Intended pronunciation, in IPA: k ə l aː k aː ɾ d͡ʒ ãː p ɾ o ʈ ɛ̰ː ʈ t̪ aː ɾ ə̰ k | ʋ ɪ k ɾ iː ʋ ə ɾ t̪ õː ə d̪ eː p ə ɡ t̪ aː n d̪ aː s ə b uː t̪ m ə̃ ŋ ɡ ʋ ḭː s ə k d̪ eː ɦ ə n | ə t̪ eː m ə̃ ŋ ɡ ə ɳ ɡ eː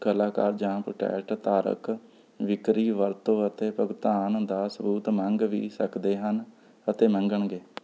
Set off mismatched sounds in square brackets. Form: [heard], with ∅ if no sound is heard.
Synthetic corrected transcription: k ə l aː k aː ɾ d͡ʒ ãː p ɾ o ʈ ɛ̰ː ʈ t̪ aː ɾ ə̰ k | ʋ ɪ k ɾ iː ʋ ə ɾ t̪ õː ə [t̪] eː p ə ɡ t̪ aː n d̪ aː s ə b uː t̪ m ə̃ ŋ ɡ ʋ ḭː s ə k d̪ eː ɦ ə n | ə t̪ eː m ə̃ ŋ ɡ ə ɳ ɡ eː